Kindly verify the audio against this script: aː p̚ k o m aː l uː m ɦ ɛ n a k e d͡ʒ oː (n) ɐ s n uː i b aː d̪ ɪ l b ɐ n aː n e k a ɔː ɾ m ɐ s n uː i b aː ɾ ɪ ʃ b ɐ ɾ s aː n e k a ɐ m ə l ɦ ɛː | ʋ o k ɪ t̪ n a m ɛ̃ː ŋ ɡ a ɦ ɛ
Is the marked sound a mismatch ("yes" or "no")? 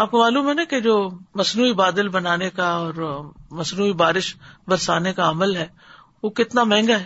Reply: yes